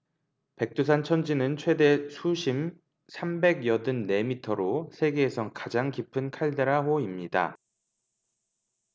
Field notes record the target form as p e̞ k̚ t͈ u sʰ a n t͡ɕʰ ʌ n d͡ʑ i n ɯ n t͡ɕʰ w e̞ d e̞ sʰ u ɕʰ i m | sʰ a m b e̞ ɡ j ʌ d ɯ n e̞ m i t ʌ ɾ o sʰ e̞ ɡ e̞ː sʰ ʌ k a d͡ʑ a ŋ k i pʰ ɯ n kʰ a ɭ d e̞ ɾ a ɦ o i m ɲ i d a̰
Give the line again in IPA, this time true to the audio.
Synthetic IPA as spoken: p e̞ k̚ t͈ u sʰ a n t͡ɕʰ ʌ n d͡ʑ i n ɯ n t͡ɕʰ w e̞ d e̞ sʰ u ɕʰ i m | sʰ a m b e̞ ɡ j ʌ d ɯ nː e̞ m i tʰ ʌ ɾ o sʰ e̞ ɡ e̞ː sʰ ʌ k a d͡ʑ a ŋ k i pʰ ɯ n kʰ a ɭ d e̞ ɾ a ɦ o i m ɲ i d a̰